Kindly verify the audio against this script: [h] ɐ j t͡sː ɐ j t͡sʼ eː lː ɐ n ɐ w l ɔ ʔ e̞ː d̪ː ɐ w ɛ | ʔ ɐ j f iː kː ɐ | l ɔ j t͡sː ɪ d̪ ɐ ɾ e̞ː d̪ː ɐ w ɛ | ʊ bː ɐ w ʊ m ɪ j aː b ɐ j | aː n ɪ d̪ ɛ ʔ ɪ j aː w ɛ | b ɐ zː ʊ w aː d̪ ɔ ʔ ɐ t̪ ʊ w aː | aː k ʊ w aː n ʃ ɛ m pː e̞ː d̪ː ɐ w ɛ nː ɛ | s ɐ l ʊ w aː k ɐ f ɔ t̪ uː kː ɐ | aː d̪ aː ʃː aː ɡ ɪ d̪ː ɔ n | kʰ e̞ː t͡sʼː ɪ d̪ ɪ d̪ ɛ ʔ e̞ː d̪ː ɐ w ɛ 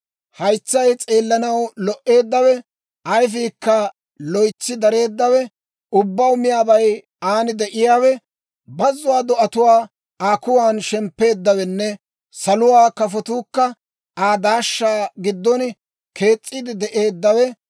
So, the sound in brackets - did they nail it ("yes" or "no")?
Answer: yes